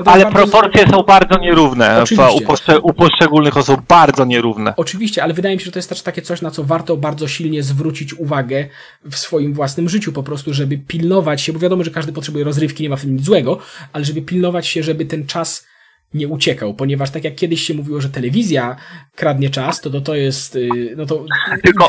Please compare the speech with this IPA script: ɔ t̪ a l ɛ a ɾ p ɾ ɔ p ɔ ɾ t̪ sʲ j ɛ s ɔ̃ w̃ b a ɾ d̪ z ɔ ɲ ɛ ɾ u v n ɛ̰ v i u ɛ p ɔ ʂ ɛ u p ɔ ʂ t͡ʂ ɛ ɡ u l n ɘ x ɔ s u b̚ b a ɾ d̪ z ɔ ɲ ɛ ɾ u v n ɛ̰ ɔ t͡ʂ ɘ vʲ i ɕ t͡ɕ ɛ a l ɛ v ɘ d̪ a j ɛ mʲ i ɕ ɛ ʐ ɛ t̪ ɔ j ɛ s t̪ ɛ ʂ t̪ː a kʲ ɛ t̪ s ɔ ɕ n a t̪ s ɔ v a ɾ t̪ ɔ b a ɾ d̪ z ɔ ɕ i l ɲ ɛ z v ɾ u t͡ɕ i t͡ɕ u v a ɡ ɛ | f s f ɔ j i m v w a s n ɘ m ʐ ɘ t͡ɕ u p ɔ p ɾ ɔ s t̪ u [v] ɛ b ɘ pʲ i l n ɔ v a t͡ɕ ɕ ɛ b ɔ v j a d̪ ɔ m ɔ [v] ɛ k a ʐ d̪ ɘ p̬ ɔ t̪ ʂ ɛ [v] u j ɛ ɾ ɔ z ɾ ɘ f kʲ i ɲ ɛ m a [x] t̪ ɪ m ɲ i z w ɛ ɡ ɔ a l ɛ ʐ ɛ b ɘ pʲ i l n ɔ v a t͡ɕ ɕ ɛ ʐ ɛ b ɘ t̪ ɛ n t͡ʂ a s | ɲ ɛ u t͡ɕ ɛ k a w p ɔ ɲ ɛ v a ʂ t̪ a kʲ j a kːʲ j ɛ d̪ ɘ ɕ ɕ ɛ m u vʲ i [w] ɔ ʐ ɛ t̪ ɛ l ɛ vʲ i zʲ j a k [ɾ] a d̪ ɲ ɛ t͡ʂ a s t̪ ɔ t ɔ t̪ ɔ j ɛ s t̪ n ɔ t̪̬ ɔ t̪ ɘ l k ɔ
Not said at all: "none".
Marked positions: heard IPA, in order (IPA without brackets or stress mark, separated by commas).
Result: ʐ, ʐ, b, f, w, ɾ